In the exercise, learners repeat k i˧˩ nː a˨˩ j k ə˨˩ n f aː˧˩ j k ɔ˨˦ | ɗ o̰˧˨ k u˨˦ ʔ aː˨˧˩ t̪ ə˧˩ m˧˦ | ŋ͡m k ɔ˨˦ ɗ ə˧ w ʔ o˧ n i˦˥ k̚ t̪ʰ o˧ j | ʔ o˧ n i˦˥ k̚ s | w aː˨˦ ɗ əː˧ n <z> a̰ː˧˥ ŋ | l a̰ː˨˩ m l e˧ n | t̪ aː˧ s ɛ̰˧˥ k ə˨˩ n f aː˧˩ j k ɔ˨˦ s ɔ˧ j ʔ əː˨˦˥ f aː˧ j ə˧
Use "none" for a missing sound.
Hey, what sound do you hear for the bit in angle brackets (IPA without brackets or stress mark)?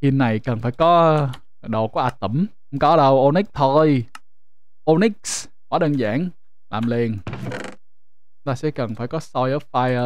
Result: z